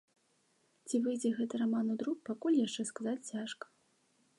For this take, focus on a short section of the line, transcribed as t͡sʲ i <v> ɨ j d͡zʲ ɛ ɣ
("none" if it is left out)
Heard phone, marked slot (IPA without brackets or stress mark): v